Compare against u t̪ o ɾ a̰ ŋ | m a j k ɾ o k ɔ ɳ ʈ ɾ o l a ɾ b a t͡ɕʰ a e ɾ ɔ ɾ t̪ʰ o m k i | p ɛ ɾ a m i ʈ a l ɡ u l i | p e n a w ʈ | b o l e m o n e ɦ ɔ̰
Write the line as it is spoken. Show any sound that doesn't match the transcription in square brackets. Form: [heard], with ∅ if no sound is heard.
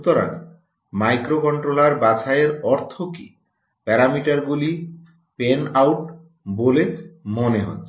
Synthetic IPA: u t̪ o ɾ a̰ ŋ | m a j k ɾ o k ɔ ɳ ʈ ɾ o l a ɾ b a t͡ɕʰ a e ɾ ɔ ɾ t̪ʰ o [∅] k i | p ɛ ɾ a m i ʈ a [ɾ] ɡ u l i | p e n a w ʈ | b o l e m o n e ɦ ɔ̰